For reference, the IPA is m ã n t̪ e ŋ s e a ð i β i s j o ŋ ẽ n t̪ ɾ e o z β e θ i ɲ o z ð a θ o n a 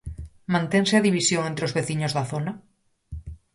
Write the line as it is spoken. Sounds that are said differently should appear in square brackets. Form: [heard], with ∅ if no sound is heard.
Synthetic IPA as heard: m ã n t̪ e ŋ s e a ð i β i s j o ŋ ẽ n t̪ ɾ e o z β e θ i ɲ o z ð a θ o n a